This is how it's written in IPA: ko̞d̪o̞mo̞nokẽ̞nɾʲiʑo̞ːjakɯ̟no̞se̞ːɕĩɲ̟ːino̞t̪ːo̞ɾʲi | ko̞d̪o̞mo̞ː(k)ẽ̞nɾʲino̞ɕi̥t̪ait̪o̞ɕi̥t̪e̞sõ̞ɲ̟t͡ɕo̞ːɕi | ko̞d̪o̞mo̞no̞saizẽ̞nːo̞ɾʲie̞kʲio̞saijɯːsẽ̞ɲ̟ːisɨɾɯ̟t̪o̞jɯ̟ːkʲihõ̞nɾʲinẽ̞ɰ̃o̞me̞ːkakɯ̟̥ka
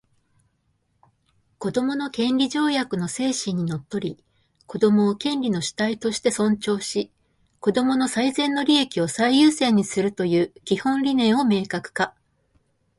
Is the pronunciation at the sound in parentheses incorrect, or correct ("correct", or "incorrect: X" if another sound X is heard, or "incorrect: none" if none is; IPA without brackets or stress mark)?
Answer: correct